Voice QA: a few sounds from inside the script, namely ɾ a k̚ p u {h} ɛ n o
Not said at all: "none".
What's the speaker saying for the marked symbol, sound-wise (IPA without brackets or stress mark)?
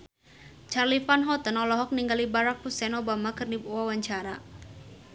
s